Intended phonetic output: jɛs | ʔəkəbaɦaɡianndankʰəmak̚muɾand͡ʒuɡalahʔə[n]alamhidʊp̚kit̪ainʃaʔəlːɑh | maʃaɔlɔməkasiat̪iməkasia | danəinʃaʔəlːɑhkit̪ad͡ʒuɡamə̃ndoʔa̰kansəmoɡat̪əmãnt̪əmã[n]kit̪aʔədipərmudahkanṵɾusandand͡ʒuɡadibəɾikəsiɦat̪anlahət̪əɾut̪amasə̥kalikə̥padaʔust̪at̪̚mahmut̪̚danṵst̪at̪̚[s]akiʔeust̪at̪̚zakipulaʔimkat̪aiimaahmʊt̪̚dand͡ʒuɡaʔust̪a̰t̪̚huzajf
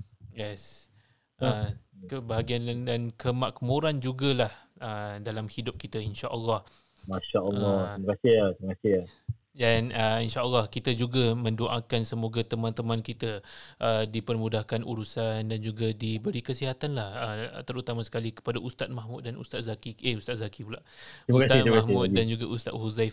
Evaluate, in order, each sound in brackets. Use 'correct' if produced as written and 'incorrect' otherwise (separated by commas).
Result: incorrect, correct, incorrect